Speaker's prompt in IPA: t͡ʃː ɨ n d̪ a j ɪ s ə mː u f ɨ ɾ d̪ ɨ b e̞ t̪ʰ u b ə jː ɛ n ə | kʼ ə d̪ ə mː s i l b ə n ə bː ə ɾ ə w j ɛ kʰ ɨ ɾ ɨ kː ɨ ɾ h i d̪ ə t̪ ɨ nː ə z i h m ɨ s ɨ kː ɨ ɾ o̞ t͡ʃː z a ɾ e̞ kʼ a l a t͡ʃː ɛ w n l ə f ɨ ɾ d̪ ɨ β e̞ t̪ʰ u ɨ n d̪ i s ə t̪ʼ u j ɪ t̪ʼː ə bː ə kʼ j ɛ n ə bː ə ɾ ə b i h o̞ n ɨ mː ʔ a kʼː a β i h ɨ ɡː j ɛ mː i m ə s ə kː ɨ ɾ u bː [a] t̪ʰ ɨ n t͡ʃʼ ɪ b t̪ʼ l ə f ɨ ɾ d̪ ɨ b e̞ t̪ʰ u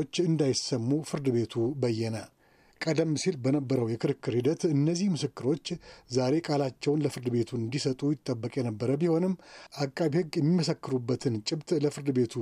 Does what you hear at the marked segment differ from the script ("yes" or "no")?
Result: yes